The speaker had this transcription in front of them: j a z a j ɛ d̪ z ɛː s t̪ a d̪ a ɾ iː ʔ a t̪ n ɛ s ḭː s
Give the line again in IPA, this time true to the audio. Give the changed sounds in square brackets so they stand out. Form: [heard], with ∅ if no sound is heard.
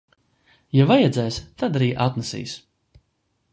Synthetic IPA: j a [v] a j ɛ d̪ z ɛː s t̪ a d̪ a ɾ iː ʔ a t̪ n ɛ s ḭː s